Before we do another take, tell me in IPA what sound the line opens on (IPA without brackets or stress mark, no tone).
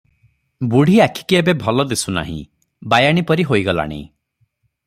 b